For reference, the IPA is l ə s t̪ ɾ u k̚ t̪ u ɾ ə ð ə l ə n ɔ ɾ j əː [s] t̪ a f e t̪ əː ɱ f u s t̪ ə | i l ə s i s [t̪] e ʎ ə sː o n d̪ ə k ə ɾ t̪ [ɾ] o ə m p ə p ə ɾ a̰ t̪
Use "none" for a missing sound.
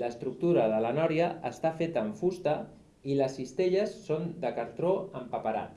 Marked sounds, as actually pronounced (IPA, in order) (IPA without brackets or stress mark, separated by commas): s, t̪, ɾ